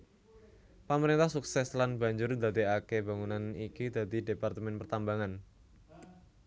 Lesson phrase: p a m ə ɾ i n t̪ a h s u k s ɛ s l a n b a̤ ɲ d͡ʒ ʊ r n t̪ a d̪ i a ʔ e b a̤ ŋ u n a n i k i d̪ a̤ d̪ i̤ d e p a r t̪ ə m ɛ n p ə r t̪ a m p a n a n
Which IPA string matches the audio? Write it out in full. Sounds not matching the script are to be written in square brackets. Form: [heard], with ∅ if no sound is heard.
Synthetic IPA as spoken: p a m ə ɾ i n t̪ a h s u k s ɛ s l a n b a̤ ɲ d͡ʒ ʊ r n [d̪] a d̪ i a [k] e b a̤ ŋ u n a n i k i d̪ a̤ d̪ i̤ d e p a r t̪ ə m ɛ n p ə r t̪ a m [b] a [ŋ] a n